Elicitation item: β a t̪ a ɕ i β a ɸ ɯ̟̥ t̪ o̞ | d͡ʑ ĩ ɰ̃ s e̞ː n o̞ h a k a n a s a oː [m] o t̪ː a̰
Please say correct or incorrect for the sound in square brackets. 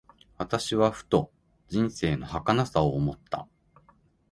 correct